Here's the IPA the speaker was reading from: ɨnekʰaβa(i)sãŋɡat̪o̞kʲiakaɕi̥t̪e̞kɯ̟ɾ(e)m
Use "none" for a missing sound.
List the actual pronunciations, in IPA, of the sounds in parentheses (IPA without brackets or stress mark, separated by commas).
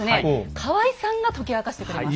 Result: i, e